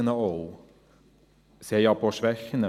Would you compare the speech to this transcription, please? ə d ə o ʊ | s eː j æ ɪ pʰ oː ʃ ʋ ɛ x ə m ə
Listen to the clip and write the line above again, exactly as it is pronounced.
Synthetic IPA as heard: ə n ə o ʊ | s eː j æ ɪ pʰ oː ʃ ʋ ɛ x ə n ə